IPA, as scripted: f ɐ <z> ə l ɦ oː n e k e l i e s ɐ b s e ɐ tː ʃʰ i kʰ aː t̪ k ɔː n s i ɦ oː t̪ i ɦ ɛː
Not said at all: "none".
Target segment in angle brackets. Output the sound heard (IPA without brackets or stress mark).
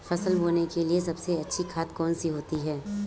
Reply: s